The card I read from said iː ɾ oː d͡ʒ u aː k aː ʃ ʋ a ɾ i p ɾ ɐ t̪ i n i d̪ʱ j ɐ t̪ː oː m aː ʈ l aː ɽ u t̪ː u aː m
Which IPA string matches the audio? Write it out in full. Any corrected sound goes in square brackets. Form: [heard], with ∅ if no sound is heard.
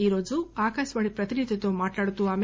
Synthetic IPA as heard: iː ɾ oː d͡ʒ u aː k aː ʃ ʋ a [ɭ] i p ɾ ɐ t̪ i n i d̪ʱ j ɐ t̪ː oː m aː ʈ l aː ɽ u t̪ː u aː m